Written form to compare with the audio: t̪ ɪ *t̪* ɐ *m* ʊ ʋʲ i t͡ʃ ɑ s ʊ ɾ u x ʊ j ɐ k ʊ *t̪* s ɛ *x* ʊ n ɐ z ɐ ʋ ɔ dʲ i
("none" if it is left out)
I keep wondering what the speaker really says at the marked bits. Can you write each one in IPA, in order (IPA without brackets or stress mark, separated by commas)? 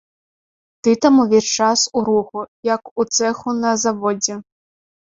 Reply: t̪, m, t̪, x